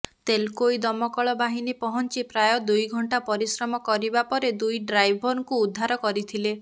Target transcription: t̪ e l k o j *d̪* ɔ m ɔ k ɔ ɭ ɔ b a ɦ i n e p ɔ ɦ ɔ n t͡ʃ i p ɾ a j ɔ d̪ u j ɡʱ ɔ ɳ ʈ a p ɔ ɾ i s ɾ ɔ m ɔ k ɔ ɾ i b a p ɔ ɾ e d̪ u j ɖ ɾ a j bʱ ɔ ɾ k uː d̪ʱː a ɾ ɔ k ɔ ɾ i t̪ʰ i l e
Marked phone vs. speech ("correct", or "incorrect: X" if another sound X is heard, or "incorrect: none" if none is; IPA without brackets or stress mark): correct